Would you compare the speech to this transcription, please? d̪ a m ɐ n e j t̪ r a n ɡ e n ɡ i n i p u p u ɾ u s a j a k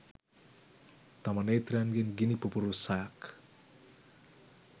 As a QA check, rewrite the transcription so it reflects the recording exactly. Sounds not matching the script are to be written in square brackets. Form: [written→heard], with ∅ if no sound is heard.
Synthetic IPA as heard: [d̪→t̪] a m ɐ n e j t̪ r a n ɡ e n ɡ i n i p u p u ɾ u s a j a k